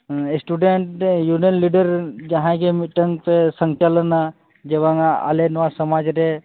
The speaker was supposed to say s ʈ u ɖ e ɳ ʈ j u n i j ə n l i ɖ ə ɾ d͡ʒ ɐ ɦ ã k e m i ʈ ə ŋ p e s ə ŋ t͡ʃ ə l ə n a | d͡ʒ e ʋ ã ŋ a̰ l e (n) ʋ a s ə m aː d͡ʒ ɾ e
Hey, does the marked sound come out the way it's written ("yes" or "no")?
yes